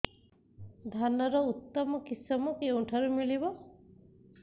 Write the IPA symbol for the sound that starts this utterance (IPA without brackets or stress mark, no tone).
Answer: d̪ʱ